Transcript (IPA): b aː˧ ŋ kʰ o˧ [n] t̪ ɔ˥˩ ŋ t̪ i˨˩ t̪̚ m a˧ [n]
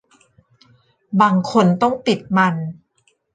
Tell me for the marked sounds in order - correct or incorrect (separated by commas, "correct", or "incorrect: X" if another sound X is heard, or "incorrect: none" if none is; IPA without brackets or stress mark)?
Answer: correct, correct